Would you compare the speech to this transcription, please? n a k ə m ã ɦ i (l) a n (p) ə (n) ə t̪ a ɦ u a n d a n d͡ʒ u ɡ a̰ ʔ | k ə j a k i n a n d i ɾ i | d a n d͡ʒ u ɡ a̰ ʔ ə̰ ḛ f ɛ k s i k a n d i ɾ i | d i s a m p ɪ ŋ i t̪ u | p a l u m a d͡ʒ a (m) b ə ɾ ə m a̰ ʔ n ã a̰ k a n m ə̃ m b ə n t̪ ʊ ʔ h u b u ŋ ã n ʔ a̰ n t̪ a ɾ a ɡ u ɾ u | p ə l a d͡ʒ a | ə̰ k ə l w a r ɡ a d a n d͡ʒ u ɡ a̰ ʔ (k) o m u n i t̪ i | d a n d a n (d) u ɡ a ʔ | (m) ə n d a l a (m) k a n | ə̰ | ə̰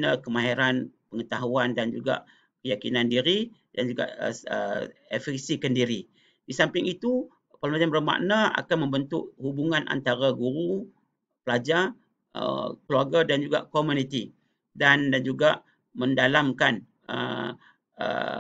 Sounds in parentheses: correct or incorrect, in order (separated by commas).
incorrect, correct, incorrect, correct, correct, incorrect, correct, correct